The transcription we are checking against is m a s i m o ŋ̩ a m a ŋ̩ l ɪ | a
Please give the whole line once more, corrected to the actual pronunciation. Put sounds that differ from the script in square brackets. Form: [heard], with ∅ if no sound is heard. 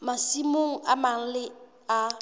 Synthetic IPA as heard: m a s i m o ŋ̩ a m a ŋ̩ l ɪ | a